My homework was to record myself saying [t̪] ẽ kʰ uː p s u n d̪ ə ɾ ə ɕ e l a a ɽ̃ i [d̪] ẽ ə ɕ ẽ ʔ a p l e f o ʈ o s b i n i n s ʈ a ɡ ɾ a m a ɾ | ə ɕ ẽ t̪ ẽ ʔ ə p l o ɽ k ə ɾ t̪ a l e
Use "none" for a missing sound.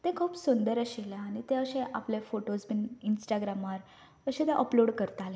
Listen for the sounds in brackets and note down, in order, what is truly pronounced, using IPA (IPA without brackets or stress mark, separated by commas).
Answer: t̪, t̪